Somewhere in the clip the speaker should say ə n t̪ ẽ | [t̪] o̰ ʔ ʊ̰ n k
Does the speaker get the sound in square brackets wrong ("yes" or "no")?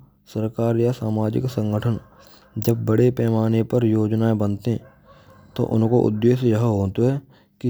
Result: no